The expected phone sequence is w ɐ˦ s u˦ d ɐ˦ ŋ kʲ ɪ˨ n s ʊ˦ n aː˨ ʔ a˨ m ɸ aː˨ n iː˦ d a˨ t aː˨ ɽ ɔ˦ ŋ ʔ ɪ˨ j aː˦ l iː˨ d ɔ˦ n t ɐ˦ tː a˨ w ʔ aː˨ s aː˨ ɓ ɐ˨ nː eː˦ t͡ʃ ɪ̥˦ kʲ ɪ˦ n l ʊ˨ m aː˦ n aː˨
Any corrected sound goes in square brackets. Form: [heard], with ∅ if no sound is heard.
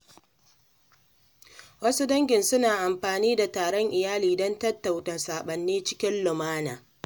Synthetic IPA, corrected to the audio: w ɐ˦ s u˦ d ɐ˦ ŋ [ɡʲ] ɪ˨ n s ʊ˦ n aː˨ ʔ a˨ m ɸ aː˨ n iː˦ d a˨ t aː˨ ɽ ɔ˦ ŋ ʔ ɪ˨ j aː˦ l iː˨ d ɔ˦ n t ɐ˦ tː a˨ w [t] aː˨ s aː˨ ɓ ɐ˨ nː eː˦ t͡ʃ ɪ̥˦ kʲ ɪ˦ n l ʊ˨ m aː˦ n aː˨